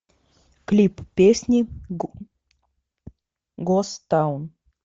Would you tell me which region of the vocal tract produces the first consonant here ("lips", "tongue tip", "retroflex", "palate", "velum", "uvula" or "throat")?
velum